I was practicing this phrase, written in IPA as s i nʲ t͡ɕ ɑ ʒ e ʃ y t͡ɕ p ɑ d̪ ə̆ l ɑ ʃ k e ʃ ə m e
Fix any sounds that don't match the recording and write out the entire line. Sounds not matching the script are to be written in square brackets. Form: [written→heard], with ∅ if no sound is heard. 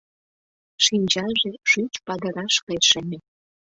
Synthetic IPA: [s→ʃ] i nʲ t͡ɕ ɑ ʒ e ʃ y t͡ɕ p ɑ d̪ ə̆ [l→ɾ] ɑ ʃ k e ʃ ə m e

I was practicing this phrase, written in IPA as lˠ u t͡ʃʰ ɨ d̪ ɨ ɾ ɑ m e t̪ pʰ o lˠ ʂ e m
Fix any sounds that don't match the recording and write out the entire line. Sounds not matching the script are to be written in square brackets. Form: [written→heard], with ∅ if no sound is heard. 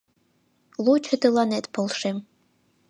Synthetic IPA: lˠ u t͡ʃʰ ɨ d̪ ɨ [ɾ→l] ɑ [m→n] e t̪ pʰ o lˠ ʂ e m

